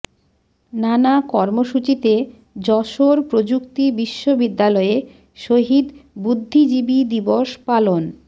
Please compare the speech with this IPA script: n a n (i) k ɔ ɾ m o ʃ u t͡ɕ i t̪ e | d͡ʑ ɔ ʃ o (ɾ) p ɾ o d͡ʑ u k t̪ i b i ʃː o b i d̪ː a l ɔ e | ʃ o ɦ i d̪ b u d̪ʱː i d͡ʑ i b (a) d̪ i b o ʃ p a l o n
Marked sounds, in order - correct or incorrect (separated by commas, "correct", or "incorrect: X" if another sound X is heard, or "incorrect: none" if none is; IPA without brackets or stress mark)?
incorrect: a, correct, incorrect: i